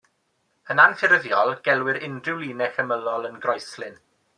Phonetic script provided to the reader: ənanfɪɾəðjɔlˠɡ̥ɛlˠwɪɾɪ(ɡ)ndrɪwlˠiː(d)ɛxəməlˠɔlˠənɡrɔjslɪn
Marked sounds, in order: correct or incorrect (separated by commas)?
incorrect, incorrect